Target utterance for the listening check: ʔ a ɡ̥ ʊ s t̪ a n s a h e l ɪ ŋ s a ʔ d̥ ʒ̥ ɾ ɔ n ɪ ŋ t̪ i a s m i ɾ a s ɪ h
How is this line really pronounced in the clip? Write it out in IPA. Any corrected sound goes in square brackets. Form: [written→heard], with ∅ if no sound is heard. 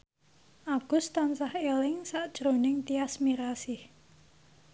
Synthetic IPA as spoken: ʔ a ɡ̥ ʊ s t̪ a n s a h e l ɪ ŋ s a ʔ d̥ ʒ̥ ɾ [ɔ→o] n ɪ ŋ t̪ i a s m i ɾ a s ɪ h